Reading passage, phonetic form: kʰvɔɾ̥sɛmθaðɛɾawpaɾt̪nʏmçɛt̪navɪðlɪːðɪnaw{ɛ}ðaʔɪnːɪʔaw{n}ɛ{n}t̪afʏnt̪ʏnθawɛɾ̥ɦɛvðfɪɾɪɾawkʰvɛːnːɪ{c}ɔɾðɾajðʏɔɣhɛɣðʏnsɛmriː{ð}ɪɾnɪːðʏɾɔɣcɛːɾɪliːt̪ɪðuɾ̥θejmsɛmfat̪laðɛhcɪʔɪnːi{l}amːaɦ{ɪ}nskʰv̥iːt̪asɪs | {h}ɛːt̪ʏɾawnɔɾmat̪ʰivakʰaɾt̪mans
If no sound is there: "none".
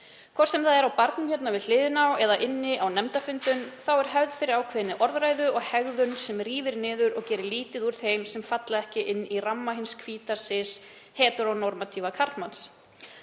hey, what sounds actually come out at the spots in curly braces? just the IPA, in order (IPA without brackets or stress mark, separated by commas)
ɛ, n, m, ʔ, v, r, ɪ, h